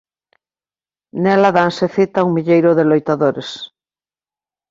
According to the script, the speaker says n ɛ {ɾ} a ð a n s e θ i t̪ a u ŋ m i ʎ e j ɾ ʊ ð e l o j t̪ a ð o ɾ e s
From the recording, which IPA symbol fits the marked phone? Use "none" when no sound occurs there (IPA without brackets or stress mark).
l